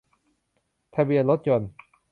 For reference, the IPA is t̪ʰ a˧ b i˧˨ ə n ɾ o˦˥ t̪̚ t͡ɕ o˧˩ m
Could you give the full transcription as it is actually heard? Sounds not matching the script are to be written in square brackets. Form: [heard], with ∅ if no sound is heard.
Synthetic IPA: t̪ʰ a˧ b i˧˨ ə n [l] o˦˥ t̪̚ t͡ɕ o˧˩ [n]

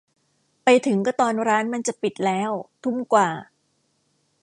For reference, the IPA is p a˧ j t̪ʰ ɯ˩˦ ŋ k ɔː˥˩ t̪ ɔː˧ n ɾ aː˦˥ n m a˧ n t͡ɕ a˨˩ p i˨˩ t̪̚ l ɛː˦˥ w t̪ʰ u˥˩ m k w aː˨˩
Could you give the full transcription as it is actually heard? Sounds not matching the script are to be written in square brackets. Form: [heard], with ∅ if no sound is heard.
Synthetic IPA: p a˧ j t̪ʰ ɯ˩˦ ŋ k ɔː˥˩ t̪ ɔː˧ n ɾ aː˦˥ n m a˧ n t͡ɕ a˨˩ p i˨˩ t̪̚ l ɛː˦˥ w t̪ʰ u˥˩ m k w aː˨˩

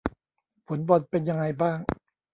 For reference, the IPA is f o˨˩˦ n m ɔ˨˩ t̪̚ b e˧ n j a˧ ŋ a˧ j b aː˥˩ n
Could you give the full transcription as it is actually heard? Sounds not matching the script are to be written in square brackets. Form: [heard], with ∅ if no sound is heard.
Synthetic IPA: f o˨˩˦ n [b] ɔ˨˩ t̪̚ [p] e˧ n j a˧ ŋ a˧ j b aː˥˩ [ŋ]

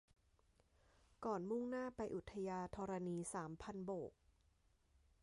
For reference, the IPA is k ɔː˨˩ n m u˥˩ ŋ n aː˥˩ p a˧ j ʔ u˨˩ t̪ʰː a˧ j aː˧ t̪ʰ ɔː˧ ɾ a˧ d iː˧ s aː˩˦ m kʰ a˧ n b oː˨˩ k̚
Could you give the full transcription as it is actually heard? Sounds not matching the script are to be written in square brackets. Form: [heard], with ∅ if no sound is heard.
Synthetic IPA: k ɔː˨˩ n m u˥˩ ŋ n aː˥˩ p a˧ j ʔ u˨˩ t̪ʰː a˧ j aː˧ t̪ʰ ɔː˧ ɾ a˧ [n] iː˧ s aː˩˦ m [pʰ] a˧ n b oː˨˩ k̚

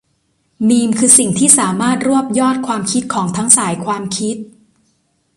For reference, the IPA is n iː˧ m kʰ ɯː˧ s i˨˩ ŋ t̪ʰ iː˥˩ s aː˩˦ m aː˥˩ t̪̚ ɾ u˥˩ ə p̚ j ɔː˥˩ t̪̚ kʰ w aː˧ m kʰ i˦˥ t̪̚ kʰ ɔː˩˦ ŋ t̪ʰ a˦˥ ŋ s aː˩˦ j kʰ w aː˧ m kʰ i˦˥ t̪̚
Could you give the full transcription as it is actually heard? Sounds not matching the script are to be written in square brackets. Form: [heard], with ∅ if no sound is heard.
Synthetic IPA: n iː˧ m kʰ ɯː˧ s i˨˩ ŋ t̪ʰ iː˥˩ s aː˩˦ m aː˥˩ t̪̚ ɾ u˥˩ ə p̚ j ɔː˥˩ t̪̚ kʰ w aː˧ m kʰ i˦˥ t̪̚ kʰ ɔː˩˦ ŋ t̪ʰ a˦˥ ŋ s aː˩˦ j kʰ w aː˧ m kʰ i˦˥ t̪̚

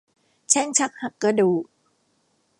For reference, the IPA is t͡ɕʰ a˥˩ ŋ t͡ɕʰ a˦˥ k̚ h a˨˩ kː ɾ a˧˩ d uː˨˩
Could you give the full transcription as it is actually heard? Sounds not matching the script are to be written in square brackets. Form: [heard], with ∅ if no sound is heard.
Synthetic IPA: t͡ɕʰ [ɛ˥˩] ŋ t͡ɕʰ a˦˥ k̚ h a˨˩ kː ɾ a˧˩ d uː˨˩

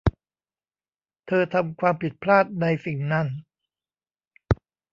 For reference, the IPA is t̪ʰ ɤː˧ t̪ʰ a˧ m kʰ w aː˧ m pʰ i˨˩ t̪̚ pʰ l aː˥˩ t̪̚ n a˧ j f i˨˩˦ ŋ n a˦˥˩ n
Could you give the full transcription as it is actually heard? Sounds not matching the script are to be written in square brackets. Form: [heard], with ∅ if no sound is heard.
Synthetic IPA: t̪ʰ ɤː˧ t̪ʰ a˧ m kʰ w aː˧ m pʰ i˨˩ t̪̚ pʰ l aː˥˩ t̪̚ n a˧ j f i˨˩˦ ŋ n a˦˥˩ n

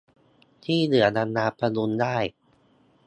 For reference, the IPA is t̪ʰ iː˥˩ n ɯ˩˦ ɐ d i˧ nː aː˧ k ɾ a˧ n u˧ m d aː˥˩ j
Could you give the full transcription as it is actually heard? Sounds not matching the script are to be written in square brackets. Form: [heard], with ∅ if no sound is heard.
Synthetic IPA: t̪ʰ iː˥˩ n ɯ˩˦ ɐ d [a˧] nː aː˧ [p] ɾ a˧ n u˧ [n] d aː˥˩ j

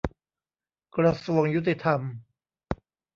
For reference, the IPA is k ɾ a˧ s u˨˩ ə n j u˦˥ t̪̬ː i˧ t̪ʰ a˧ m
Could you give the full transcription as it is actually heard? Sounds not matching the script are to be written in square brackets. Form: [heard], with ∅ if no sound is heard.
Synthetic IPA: k ɾ a˧ s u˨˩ ə [ŋ] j u˦˥ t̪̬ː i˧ t̪ʰ a˧ m

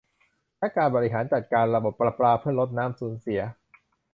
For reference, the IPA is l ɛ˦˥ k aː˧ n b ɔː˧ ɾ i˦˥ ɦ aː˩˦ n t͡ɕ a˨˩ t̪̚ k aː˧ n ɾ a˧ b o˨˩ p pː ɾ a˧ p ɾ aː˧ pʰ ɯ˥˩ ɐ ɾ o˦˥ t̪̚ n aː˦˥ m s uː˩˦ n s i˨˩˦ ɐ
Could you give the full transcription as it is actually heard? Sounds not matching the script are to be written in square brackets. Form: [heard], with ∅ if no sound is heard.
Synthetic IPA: l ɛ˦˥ k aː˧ n b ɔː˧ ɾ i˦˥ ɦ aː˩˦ n t͡ɕ a˨˩ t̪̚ k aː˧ n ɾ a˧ b o˨˩ p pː ɾ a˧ p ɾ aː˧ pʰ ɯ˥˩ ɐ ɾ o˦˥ t̪̚ n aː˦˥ m s uː˩˦ n s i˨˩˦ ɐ

